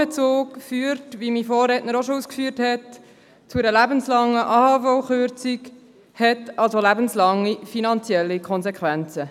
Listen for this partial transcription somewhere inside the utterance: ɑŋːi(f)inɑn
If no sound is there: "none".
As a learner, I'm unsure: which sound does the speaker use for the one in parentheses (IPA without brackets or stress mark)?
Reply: f